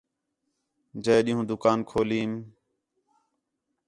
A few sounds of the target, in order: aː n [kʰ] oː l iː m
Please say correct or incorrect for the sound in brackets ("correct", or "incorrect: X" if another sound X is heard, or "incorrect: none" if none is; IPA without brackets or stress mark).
correct